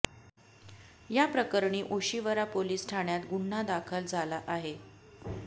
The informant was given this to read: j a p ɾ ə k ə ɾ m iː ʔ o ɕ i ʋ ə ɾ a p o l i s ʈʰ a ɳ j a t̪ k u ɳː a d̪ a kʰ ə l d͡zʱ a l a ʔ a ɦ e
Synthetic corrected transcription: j a p ɾ ə k ə ɾ ɳ iː ʔ o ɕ i ʋ ə ɾ a p o l iː s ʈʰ a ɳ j a t̪ ɡ u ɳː a d̪ a kʰ ə l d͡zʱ a l a ʔ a ɦ e